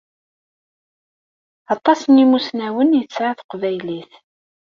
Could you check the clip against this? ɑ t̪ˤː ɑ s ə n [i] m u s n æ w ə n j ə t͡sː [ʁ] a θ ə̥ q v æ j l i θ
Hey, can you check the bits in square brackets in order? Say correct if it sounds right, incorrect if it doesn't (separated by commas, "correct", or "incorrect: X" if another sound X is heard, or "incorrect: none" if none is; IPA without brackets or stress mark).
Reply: correct, incorrect: ʕ